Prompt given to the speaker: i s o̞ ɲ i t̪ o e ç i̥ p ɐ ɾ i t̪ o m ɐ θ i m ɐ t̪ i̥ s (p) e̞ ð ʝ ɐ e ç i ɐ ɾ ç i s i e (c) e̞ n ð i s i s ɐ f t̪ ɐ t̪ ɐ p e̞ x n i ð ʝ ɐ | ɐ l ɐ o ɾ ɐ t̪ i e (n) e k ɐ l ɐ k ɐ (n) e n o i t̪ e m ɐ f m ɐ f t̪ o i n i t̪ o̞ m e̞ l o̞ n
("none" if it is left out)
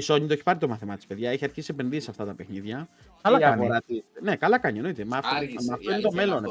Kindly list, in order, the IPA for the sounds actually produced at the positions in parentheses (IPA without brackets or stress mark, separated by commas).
p, p, n, ɲ